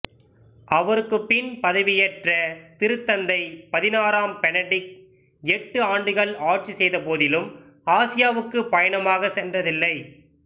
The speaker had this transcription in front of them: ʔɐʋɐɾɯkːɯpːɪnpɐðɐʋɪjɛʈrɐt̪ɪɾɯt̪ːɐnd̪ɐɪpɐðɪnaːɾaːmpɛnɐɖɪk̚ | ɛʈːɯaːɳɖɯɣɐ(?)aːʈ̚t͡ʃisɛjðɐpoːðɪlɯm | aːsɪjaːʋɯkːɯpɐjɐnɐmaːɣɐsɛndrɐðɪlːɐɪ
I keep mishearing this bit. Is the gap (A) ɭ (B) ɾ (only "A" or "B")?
A